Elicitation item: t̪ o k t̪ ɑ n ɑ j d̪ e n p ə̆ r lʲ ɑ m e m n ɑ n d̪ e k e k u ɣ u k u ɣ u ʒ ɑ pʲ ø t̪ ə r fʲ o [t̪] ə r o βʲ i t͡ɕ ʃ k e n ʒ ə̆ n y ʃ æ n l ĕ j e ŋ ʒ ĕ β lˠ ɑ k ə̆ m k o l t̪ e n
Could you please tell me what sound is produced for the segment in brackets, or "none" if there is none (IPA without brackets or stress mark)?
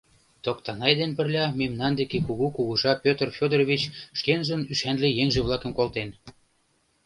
d̪